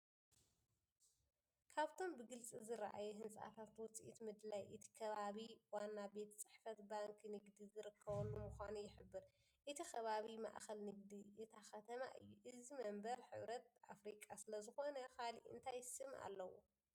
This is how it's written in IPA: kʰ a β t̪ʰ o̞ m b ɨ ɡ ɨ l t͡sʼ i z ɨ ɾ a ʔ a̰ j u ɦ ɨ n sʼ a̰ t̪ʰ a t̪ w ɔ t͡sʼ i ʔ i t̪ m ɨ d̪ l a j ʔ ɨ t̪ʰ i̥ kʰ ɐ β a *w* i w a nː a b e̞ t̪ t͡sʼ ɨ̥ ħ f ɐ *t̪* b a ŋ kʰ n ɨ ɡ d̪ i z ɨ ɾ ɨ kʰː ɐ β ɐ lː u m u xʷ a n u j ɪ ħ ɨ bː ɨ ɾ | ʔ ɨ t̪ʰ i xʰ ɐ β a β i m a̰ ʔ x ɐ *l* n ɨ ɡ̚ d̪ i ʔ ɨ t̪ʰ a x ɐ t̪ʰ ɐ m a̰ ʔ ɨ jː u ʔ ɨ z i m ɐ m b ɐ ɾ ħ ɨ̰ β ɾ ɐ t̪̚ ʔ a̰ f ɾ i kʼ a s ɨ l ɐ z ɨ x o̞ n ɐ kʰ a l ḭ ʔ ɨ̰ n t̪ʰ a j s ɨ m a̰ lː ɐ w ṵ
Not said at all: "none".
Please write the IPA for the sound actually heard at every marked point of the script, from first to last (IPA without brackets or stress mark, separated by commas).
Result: β, t̪, l